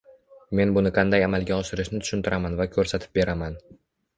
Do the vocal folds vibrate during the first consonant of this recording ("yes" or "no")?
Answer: yes